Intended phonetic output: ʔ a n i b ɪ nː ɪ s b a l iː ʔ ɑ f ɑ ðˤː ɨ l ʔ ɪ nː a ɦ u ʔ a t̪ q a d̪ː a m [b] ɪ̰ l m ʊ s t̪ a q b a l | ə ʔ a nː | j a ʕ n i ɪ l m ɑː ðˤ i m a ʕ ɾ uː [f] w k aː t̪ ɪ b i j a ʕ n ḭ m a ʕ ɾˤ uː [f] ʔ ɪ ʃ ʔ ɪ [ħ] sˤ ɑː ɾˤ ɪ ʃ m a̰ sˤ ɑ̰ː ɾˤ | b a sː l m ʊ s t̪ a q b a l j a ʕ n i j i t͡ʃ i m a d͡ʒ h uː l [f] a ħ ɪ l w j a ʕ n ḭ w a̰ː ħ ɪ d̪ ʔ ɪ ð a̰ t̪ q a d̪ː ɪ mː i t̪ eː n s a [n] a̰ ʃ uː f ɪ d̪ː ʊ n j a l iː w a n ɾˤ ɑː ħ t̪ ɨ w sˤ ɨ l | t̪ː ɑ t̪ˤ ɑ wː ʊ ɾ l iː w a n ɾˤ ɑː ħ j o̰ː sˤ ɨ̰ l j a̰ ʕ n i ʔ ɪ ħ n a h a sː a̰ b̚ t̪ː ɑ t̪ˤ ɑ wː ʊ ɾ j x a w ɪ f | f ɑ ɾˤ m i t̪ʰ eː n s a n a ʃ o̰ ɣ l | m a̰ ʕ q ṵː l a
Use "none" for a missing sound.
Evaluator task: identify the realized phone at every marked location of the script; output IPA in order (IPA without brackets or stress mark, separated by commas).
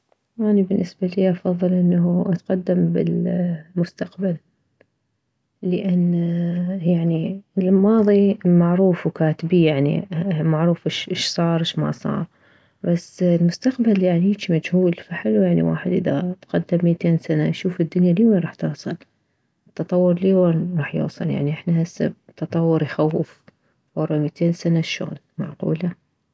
b, f, f, ʃ, f, n